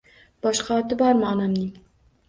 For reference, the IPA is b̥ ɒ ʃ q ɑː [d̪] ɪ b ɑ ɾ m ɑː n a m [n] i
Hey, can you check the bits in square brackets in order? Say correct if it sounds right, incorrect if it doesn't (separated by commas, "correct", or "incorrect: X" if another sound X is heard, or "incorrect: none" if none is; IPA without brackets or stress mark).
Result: incorrect: t̪, correct